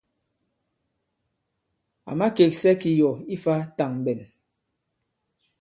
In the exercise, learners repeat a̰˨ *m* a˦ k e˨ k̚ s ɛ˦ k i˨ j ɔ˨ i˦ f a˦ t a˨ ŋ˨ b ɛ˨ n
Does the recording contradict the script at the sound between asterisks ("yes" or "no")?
no